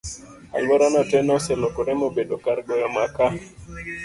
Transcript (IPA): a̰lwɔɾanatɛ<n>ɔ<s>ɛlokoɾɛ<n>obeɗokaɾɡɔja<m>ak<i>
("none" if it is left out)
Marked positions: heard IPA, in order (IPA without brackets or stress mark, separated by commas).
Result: n, s, m, m, a